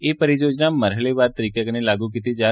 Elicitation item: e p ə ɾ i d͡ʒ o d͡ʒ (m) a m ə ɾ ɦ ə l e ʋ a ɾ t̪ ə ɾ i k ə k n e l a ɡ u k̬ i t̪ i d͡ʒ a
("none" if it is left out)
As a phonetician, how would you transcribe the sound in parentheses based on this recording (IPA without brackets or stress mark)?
n